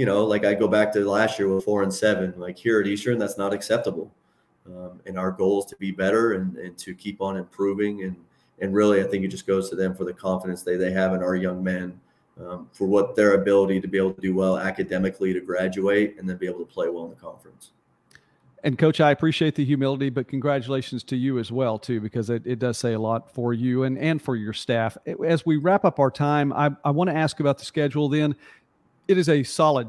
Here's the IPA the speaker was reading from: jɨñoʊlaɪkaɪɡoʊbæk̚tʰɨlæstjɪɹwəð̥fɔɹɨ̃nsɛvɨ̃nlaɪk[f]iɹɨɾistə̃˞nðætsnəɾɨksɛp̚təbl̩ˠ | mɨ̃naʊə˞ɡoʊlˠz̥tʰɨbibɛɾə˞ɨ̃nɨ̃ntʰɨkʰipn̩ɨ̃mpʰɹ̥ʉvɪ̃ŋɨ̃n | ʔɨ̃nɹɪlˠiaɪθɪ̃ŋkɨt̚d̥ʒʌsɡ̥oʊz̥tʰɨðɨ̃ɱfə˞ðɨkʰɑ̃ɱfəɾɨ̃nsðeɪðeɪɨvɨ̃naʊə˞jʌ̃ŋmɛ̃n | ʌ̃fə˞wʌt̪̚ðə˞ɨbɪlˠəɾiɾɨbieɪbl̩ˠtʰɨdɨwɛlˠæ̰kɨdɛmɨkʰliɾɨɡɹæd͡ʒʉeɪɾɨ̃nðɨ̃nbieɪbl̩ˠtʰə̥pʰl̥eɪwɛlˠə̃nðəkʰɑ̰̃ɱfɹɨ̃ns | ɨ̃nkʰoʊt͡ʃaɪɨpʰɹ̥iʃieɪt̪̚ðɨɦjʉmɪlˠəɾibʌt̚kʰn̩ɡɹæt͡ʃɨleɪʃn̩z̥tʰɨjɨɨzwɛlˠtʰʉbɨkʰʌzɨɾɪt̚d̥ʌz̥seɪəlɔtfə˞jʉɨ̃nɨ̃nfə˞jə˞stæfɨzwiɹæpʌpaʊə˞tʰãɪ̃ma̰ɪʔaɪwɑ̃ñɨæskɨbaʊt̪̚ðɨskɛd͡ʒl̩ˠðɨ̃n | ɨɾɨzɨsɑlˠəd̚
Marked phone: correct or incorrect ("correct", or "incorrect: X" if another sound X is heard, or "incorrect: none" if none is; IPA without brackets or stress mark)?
incorrect: h